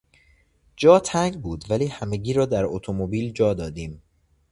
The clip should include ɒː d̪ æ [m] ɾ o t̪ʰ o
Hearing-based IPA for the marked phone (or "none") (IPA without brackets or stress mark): none